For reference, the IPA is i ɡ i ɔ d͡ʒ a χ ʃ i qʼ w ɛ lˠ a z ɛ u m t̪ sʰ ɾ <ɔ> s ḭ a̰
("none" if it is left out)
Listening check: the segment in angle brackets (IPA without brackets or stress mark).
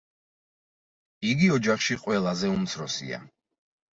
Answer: ɔ